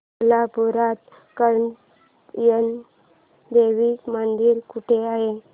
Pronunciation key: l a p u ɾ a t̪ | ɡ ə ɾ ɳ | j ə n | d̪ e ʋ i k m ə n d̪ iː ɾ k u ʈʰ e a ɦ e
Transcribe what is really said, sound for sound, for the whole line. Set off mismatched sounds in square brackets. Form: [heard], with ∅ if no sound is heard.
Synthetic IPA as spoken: l a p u ɾ a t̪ | [k] ə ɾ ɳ | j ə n | d̪ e ʋ i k m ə n d̪ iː ɾ k u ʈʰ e a ɦ e